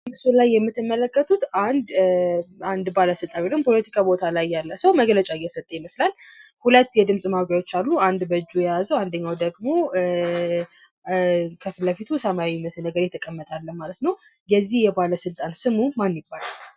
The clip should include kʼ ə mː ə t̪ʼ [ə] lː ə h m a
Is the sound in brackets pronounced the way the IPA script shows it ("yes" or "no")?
no